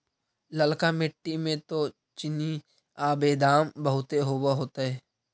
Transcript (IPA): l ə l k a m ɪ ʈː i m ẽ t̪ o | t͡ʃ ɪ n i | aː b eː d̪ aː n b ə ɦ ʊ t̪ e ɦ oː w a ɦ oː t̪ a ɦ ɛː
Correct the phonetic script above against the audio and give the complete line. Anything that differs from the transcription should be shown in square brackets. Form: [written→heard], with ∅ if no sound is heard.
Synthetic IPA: l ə l k a m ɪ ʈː i m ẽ t̪ o | t͡ʃ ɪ n i | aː b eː d̪ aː [n→m] b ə ɦ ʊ t̪ e ɦ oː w a ɦ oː t̪ a ɦ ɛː